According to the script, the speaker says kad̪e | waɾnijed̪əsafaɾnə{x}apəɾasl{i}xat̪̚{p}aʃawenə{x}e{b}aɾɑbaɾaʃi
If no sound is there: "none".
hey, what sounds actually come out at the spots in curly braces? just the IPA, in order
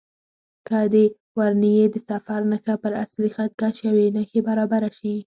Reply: x, i, k, x, b

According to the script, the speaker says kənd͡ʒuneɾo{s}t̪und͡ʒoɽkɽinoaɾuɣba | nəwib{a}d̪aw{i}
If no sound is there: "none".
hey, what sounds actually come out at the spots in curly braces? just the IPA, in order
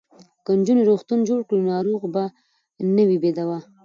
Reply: x, e, a

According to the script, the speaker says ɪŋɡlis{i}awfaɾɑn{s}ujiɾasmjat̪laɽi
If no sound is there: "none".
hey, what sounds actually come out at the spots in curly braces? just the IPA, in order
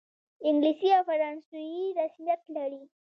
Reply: i, s

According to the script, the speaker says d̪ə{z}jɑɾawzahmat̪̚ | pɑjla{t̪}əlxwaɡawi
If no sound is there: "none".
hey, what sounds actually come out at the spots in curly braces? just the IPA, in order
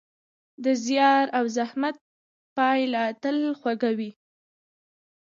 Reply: z, t̪

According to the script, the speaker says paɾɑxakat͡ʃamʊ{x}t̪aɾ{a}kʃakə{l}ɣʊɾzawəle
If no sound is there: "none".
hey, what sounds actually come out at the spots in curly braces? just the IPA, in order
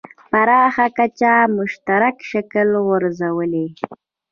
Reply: ʃ, a, l

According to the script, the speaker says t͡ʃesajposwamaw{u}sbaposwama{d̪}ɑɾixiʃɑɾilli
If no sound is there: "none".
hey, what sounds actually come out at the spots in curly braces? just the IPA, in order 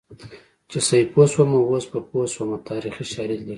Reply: o, t̪

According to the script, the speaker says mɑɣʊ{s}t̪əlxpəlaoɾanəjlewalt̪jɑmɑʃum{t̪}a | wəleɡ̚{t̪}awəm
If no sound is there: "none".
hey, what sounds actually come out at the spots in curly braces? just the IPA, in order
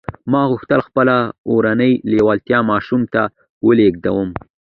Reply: x, t̪, d̪

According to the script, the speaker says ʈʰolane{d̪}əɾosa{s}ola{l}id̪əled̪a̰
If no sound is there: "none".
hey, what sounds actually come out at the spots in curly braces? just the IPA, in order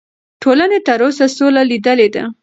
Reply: t̪, s, l

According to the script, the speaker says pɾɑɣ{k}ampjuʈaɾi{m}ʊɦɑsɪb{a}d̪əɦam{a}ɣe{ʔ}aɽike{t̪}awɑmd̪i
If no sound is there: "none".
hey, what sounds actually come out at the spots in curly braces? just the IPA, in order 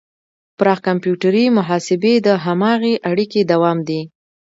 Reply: k, m, e, ɑ, ʔ, d̪

